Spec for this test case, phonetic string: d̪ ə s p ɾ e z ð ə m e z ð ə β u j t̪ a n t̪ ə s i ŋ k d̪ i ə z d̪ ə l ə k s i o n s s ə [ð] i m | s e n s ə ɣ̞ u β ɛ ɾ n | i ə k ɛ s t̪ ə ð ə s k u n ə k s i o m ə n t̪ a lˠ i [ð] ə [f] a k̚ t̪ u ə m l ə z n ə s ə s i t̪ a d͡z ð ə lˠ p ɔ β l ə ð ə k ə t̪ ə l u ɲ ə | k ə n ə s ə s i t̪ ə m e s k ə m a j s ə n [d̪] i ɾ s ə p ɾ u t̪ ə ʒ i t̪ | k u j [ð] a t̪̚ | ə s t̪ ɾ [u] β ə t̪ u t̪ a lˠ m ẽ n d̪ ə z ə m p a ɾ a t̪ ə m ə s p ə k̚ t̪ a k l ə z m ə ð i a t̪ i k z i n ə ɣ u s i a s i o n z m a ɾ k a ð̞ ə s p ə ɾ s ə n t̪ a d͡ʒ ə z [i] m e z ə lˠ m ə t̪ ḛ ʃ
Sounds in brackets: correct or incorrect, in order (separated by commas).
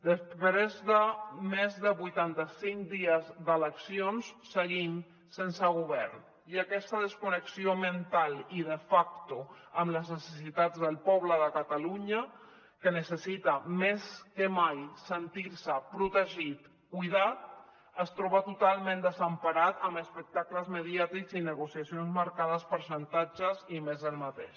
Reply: incorrect, correct, correct, incorrect, correct, incorrect, correct